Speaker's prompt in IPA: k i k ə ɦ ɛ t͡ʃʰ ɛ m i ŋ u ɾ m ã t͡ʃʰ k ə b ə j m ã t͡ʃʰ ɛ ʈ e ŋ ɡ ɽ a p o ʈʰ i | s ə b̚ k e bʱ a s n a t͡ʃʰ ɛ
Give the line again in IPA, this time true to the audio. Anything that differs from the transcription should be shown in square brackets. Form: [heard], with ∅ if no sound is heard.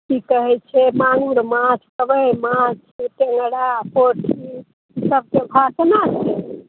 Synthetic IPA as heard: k i k ə ɦ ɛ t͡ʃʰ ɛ m [a] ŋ u ɾ m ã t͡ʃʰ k ə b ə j m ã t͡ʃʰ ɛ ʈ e ŋ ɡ ɽ a p o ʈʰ i | s ə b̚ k e bʱ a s n a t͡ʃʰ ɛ